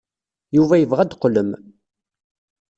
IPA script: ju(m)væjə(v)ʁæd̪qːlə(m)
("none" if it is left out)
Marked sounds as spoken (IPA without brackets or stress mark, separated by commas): none, v, m